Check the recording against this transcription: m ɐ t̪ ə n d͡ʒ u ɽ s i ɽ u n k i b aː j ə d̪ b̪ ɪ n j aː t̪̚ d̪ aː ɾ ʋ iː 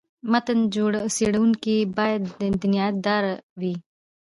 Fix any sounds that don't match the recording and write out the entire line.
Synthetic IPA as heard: m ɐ t̪ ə n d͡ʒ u ɽ s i ɽ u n k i b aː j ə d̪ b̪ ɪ n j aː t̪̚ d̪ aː ɾ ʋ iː